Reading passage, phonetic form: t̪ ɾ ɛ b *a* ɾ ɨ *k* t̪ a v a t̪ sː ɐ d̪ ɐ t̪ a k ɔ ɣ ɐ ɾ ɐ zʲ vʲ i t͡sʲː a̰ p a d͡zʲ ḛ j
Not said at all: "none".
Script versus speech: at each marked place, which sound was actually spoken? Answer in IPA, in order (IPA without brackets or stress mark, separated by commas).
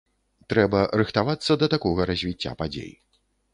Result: ɐ, x